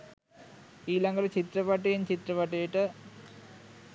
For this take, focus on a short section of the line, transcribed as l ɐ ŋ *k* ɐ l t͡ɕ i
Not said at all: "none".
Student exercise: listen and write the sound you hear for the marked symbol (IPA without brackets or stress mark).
ɡ